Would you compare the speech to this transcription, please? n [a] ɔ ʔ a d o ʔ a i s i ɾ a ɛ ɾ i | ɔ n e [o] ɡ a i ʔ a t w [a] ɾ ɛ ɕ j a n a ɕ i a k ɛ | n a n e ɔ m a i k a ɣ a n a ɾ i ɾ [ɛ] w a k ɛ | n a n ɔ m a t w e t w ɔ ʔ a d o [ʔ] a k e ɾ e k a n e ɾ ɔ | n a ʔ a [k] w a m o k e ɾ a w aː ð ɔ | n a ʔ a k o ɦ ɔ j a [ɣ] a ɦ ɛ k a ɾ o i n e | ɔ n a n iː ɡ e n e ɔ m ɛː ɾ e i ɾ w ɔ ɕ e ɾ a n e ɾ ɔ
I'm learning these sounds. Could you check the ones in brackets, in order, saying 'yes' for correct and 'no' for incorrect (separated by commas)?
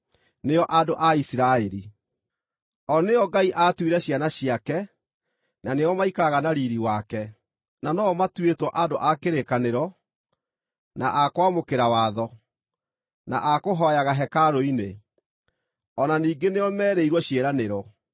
no, no, no, no, yes, yes, yes